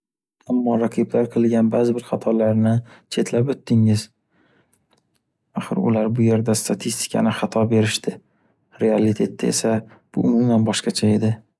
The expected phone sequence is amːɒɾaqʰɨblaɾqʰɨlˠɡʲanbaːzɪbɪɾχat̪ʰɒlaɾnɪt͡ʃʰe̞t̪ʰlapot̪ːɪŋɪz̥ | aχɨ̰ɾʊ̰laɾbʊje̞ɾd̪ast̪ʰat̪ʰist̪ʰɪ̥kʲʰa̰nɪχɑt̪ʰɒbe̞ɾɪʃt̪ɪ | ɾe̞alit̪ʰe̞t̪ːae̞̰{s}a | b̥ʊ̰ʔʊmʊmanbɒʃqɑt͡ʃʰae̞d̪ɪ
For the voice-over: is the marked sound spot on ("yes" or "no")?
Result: yes